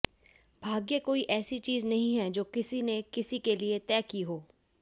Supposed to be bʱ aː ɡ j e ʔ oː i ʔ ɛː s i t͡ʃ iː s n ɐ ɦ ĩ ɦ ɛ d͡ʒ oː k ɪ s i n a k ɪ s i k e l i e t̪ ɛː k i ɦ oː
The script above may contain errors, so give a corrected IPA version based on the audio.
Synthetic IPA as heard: bʱ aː ɡ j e k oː i ʔ ɛː s i t͡ʃ iː z n ɐ ɦ ĩ ɦ ɛ d͡ʒ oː k ɪ s i n e k ɪ s i k e l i e t̪ ɛː k i ɦ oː